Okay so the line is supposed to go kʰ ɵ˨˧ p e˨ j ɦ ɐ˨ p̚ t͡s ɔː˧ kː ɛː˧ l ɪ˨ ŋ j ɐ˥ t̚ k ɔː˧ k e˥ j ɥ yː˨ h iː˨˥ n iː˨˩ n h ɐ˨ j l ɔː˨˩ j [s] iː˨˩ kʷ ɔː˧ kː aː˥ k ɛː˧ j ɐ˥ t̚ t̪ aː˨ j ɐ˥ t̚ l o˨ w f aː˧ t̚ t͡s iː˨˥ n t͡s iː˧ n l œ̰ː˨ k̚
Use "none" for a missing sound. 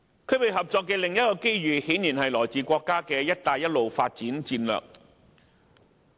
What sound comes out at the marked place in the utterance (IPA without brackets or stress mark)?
t͡s